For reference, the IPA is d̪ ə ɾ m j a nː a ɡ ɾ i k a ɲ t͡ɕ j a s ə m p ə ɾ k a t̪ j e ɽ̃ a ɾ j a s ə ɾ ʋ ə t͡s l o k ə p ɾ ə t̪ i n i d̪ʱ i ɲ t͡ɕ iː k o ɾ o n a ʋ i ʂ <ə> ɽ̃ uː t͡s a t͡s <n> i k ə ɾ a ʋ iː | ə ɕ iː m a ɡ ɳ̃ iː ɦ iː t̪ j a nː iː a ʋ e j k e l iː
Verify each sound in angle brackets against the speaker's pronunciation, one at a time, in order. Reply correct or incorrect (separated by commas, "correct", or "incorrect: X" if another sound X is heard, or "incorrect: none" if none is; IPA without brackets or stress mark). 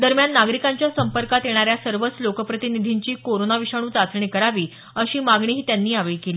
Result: incorrect: a, incorrect: ɳ